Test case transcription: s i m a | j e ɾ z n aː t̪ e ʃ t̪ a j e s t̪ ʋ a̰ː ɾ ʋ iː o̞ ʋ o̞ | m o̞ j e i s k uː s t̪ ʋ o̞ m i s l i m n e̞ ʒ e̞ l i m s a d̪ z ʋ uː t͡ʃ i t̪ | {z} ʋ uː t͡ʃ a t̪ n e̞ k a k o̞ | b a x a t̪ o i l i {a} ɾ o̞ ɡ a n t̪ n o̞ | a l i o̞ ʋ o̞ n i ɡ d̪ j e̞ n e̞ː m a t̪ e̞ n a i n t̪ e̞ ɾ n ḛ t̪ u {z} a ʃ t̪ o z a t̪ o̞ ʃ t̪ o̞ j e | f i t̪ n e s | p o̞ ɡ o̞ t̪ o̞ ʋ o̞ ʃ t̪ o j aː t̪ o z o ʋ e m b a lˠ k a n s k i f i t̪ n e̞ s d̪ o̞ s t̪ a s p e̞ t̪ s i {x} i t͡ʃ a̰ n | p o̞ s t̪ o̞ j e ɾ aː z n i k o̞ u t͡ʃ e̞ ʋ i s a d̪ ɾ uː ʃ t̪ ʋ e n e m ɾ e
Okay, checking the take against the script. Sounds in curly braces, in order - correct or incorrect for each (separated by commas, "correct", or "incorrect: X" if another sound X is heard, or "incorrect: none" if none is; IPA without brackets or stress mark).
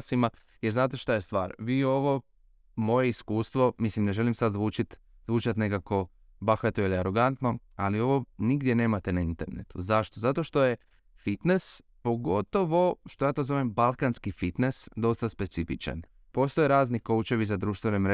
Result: correct, correct, correct, incorrect: f